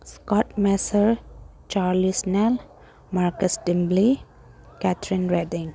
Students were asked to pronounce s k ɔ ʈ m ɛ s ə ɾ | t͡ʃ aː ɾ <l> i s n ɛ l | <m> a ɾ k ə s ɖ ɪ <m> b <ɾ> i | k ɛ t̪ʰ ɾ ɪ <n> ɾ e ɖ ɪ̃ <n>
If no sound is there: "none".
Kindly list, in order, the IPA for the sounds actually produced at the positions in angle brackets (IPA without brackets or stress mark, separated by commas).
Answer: l, m, m, l, n, ŋ